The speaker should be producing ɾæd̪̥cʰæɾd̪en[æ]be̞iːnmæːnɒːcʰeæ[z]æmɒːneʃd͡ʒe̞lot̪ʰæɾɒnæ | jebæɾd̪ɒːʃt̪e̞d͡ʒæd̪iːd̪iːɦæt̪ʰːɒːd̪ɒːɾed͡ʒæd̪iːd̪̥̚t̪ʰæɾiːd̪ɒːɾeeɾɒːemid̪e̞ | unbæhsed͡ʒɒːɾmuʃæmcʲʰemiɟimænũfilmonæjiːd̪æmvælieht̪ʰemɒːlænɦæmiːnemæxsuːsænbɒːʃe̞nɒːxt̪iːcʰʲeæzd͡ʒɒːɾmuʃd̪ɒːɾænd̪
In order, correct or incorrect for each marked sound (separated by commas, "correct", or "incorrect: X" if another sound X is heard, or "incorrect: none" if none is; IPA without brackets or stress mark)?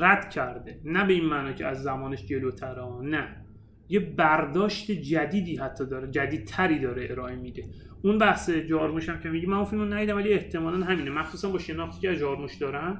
correct, incorrect: zː